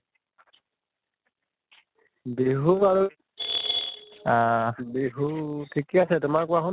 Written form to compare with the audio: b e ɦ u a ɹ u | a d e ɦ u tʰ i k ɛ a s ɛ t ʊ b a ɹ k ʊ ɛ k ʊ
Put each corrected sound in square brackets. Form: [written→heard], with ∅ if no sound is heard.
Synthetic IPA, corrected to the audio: b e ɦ u a ɹ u | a [d→b] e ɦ u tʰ i k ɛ a s ɛ t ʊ [b→m] a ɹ k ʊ [ɛ→a] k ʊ